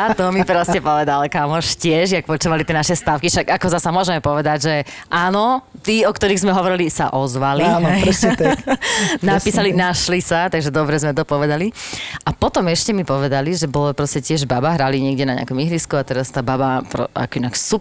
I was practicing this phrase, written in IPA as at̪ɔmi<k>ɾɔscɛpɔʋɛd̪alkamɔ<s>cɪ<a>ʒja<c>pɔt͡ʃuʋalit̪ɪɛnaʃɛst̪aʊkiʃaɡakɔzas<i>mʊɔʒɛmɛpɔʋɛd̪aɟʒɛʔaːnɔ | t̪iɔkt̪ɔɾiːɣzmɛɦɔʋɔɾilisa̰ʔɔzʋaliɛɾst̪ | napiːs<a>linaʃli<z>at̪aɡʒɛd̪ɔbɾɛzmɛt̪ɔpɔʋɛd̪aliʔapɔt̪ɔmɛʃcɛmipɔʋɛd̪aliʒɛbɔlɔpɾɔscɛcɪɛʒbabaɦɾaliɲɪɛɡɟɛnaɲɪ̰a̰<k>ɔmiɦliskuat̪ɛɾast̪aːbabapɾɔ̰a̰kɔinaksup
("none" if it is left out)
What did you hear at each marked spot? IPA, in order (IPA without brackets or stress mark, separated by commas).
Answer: p, ʃ, ɛ, k, a, a, s, k